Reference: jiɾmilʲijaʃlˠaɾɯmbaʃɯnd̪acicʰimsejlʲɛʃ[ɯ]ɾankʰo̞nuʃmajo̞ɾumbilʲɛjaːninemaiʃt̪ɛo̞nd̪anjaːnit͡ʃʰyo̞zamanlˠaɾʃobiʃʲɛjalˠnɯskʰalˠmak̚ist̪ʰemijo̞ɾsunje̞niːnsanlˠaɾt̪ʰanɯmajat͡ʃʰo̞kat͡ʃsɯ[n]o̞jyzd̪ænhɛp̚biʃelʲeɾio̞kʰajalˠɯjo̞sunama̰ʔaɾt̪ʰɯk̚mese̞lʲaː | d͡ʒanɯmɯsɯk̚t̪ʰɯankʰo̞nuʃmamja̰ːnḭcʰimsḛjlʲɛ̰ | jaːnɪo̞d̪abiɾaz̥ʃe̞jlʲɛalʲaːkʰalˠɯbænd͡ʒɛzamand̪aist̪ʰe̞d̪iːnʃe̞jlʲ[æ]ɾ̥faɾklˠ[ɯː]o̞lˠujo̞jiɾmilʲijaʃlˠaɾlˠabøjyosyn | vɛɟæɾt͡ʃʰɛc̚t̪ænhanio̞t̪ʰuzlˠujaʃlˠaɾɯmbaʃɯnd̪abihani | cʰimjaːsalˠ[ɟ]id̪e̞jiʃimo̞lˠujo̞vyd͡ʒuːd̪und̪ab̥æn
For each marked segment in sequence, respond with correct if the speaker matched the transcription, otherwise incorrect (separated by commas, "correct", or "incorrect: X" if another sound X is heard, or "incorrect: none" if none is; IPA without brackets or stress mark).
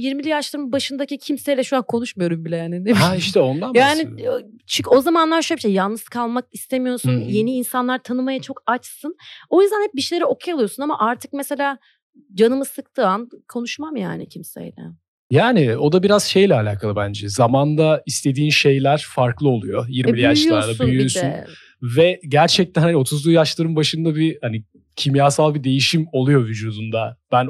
incorrect: u, correct, correct, incorrect: ɯ, incorrect: b